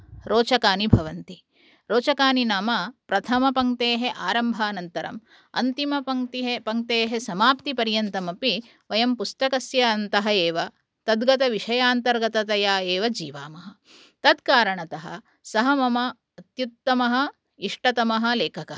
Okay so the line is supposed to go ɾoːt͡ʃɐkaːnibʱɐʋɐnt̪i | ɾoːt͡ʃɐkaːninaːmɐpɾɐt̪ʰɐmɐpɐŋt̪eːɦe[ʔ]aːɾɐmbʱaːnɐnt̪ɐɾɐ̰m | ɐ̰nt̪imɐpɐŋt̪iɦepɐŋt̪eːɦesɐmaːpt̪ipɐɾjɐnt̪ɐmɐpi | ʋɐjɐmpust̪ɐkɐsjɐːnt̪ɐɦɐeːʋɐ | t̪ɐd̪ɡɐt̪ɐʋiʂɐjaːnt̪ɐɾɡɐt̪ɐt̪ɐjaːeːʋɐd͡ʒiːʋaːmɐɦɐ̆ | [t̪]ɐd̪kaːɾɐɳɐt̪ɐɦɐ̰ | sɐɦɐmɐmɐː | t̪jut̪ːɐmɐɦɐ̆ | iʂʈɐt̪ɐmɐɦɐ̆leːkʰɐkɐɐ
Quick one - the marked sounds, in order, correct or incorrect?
correct, correct

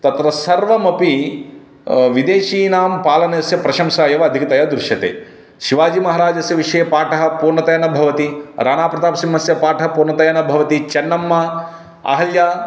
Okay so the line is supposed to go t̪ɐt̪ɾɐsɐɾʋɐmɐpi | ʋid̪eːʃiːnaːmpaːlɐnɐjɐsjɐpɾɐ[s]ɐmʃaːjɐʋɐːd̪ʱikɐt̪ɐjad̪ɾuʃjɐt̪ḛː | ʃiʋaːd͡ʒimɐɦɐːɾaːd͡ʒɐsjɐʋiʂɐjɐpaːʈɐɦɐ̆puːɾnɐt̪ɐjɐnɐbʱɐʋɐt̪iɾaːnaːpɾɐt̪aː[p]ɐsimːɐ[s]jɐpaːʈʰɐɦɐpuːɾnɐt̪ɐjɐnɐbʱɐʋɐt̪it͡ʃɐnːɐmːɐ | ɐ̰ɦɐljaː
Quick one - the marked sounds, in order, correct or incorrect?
incorrect: ʃ, correct, correct

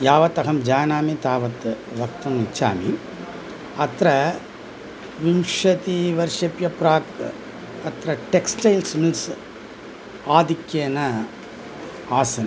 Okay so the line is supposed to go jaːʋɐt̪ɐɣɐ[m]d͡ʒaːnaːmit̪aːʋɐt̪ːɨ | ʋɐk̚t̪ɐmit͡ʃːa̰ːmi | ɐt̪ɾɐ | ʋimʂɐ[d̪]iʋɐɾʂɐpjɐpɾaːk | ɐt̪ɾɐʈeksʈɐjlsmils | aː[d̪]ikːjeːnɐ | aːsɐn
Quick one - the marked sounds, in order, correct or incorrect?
correct, incorrect: t̪, correct

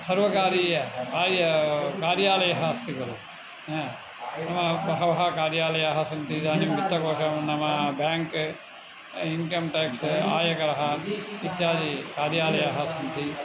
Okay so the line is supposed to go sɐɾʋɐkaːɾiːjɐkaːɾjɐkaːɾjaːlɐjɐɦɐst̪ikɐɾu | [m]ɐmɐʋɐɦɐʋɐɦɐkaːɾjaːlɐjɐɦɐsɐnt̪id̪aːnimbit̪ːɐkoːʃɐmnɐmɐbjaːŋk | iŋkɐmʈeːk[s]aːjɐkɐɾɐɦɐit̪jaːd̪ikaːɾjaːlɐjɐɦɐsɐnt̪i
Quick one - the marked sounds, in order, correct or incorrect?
incorrect: n, correct

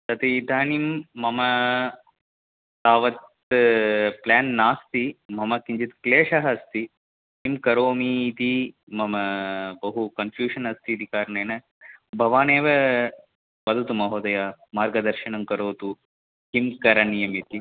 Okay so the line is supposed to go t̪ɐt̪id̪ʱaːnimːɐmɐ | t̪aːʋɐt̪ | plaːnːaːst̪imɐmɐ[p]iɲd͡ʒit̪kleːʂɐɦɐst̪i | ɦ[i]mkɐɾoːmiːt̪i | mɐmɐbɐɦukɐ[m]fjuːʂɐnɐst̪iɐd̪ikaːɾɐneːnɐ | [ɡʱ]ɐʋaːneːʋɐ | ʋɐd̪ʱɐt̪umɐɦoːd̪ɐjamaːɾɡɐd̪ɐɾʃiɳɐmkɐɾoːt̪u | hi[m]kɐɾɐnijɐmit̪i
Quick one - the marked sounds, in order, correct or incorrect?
incorrect: k, correct, incorrect: n, incorrect: bʱ, correct

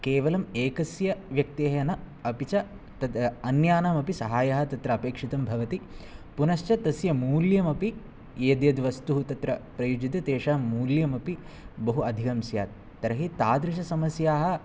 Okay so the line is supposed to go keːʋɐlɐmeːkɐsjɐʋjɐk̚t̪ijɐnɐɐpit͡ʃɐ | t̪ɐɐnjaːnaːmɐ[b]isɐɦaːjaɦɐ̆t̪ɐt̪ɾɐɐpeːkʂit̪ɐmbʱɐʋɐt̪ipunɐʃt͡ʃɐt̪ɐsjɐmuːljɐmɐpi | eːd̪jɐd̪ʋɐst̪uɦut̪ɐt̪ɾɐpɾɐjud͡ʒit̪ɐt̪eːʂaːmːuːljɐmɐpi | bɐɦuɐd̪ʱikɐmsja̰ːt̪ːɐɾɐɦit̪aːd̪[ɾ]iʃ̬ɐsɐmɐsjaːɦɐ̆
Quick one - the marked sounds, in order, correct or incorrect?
incorrect: p, correct

